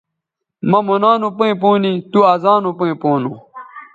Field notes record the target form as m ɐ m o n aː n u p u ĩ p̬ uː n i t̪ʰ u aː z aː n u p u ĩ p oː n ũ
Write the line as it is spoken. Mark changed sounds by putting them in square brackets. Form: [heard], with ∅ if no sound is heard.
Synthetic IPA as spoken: m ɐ m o n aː n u p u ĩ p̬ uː n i [t̪] u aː z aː n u p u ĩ p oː n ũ